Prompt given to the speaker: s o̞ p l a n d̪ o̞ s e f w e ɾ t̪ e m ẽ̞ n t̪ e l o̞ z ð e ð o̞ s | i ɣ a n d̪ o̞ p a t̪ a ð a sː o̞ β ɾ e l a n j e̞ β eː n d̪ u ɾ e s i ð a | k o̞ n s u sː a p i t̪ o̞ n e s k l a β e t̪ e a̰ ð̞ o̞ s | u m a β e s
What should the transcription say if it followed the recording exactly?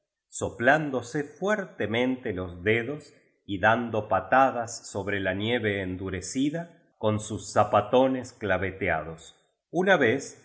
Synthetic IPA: s o̞ p l a n d̪ o̞ s e f w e ɾ t̪ e m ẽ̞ n t̪ e l o̞ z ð e ð o̞ s | i ð a n d̪ o̞ p a t̪ a ð a sː o̞ β ɾ e l a n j e̞ β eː n d̪ u ɾ e s i ð a | k o̞ n s u sː a p a t̪ o̞ n e s k l a β e t̪ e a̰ ð̞ o̞ s | u n a β e s

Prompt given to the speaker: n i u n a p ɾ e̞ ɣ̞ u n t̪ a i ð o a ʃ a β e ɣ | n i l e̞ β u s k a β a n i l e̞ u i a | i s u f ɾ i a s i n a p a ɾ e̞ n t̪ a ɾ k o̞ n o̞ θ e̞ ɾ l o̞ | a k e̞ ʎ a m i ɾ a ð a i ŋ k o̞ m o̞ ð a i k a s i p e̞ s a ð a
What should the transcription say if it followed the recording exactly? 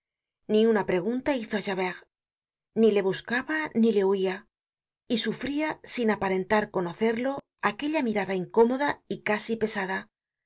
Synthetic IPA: n i u n a p ɾ e̞ ɣ̞ u n t̪ a i θ o a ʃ a β e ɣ | n i l e̞ β u s k a β a n i l e̞ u i a | i s u f ɾ i a s i n a p a ɾ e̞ n t̪ a ɾ k o̞ n o̞ θ e̞ ɾ l o̞ | a k e̞ ʎ a m i ɾ a ð a i ŋ k o̞ m o̞ ð a i k a s i p e̞ s a ð a

